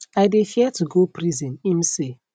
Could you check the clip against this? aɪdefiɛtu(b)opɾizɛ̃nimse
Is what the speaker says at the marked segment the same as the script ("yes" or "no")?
no